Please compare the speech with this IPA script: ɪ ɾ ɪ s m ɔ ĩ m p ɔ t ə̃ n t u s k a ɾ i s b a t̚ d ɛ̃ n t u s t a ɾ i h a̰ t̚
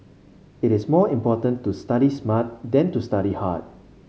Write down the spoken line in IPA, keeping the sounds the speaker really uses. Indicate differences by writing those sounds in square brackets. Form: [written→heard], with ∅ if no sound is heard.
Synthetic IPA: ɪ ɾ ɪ s m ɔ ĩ m p ɔ t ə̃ n t u s [k→t] a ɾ i s [b→m] a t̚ d ɛ̃ n t u s t a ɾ i h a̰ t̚